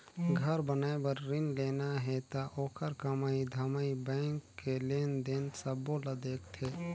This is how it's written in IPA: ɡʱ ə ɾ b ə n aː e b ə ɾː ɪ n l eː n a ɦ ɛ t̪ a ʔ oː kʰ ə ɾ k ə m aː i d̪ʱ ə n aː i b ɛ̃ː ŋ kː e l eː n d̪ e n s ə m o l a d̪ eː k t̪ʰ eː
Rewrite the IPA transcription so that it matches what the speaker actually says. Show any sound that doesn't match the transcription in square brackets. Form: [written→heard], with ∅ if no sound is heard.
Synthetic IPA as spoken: ɡʱ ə ɾ b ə n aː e b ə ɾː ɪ n l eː n a ɦ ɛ t̪ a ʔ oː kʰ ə ɾ k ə m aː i d̪ʱ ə [n→m] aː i b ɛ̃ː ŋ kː e l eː n d̪ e n s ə [m→b] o l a d̪ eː k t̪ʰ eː